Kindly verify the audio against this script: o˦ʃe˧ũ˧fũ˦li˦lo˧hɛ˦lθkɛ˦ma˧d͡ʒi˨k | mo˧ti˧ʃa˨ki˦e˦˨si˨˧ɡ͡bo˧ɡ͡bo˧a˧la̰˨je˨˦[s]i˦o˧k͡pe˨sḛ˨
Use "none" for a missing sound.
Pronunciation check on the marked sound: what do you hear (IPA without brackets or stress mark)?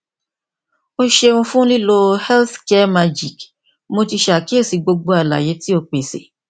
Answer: t